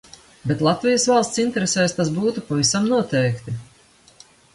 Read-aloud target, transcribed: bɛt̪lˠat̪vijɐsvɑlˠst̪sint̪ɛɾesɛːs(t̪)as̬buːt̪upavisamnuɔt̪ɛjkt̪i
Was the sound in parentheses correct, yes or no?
yes